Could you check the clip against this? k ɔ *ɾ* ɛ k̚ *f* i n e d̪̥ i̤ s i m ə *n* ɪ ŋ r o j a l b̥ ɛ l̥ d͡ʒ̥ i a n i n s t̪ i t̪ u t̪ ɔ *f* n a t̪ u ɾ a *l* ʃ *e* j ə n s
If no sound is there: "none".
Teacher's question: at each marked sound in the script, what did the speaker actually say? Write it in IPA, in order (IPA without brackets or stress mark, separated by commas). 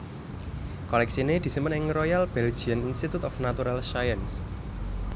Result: l, s, n, f, l, a